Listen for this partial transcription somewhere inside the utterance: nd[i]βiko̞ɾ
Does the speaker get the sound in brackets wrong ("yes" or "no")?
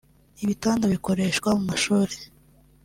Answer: yes